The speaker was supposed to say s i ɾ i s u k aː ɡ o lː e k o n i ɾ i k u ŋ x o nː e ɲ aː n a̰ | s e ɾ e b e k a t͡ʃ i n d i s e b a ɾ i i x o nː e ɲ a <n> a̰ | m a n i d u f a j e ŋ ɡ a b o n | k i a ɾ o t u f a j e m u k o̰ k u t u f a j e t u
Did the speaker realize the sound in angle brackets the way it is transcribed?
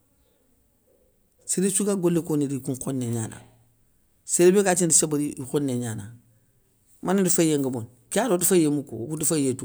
yes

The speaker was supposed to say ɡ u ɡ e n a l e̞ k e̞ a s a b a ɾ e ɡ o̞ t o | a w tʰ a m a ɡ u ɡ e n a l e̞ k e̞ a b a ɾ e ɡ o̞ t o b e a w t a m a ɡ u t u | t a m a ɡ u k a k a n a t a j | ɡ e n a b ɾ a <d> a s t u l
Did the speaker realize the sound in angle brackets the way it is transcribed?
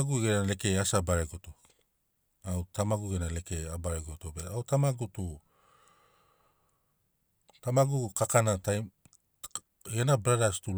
yes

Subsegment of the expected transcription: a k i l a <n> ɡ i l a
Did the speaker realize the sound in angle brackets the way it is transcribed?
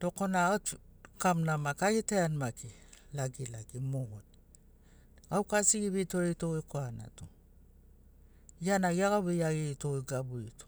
no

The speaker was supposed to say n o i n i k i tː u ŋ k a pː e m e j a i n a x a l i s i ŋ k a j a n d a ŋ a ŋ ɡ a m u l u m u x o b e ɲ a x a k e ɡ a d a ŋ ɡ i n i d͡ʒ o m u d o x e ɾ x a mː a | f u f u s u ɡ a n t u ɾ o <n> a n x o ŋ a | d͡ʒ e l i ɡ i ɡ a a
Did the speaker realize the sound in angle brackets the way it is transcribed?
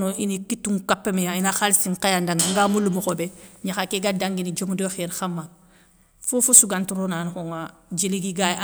yes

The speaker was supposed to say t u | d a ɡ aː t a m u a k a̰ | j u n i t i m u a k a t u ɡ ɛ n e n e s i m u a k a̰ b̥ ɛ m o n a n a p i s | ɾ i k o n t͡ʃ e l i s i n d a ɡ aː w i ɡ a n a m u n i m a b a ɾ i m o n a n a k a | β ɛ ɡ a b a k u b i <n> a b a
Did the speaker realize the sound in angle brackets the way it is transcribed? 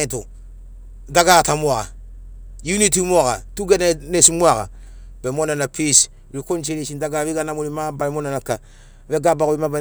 no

